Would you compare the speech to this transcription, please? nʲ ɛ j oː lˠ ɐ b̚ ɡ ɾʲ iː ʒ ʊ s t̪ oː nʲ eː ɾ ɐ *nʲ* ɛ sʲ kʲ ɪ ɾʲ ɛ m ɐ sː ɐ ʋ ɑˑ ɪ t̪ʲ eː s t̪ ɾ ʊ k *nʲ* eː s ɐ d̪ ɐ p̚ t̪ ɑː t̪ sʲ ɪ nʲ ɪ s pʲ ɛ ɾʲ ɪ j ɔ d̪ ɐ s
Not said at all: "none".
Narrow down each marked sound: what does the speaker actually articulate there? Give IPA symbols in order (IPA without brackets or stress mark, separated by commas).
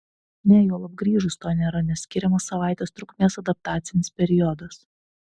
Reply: nʲ, mʲ